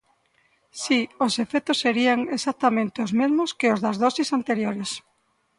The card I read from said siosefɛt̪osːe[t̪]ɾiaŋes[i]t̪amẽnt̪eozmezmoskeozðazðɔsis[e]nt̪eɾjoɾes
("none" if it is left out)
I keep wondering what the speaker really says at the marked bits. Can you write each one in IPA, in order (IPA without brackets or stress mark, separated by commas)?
none, a, a